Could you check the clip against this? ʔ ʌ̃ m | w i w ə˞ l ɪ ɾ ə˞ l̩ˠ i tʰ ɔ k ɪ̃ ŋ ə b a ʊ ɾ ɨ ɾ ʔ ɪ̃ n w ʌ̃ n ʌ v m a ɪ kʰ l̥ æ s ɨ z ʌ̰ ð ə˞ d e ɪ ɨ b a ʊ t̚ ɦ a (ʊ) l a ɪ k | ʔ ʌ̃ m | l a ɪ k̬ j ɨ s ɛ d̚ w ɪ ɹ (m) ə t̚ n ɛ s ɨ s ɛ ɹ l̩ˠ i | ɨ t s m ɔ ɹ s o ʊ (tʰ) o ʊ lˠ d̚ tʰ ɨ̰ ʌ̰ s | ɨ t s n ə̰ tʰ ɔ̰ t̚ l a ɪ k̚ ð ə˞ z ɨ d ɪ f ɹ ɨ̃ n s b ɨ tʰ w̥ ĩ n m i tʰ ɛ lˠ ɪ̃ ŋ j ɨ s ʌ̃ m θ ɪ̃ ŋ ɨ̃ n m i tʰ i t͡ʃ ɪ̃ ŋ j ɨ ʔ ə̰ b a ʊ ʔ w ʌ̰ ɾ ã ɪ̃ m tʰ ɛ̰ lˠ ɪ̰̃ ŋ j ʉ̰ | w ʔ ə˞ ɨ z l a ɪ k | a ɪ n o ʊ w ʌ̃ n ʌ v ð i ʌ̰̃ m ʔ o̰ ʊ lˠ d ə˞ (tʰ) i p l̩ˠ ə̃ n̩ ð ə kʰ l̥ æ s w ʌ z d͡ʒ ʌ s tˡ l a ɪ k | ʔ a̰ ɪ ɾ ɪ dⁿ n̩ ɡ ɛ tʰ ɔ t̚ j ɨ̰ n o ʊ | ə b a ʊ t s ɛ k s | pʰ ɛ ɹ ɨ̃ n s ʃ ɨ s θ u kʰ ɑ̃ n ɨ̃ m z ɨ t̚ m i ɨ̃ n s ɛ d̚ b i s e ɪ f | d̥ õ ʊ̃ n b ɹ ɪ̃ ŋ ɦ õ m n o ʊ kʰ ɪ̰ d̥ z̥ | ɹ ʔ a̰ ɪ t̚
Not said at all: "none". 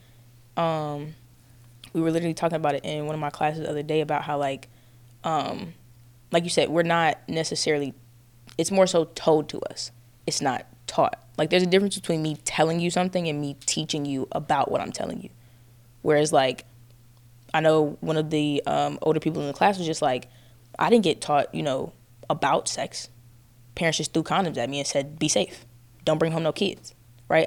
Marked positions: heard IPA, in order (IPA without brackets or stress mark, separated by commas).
ʊ, n, tʰ, pʰ